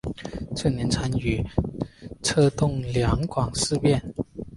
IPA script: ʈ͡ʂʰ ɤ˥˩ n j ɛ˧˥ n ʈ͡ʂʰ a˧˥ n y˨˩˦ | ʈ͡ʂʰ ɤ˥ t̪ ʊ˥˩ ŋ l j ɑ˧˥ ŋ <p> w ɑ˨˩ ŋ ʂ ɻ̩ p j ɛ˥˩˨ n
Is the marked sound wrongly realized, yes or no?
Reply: yes